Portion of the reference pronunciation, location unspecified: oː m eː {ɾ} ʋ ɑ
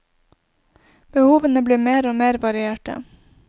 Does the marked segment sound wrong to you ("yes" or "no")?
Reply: no